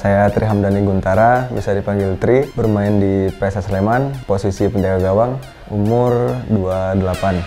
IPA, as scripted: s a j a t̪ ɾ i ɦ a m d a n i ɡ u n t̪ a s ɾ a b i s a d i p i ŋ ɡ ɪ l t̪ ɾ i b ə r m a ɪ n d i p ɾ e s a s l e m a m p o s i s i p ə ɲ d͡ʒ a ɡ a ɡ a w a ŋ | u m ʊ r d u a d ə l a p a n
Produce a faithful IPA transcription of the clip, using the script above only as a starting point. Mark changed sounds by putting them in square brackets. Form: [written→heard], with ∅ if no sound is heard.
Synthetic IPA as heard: s a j a t̪ ɾ i ɦ a m d a n i ɡ u n t̪ a [s→∅] ɾ a b i s a d i p [i→a] ŋ ɡ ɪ l t̪ ɾ i b ə r m a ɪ n d i p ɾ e s a s l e m a [m→n] p o s i s i p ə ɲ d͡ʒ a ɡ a ɡ a w a ŋ | u m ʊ r d u a d ə l a p a n